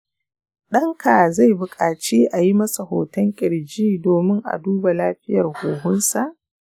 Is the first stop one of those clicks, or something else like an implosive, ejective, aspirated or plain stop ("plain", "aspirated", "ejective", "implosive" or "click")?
implosive